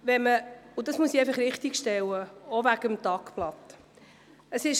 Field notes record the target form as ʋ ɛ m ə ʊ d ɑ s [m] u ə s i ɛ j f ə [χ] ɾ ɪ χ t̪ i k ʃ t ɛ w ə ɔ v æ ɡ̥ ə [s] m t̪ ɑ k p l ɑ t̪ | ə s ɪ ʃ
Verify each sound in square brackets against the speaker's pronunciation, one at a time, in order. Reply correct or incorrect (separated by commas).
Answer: correct, correct, incorrect